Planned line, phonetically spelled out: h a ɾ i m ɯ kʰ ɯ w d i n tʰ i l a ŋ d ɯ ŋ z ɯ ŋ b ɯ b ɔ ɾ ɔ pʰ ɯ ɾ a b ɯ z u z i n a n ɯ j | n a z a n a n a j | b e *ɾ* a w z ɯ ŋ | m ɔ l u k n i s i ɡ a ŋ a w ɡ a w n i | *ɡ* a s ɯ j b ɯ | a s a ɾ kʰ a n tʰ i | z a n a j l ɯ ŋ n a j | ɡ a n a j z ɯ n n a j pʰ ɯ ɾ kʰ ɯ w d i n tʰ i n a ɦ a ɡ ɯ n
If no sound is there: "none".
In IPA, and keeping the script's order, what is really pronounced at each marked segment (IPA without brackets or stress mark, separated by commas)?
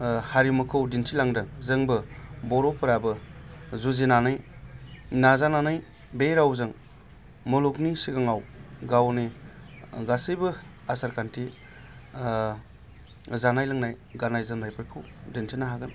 ɾ, ɡ